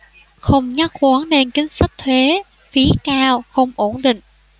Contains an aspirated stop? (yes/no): yes